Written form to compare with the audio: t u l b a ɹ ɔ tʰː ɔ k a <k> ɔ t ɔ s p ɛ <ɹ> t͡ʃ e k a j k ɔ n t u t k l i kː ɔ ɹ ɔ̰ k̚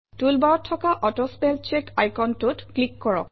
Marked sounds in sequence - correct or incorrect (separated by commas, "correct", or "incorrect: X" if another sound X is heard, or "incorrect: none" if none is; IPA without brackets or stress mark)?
incorrect: ʔ, incorrect: l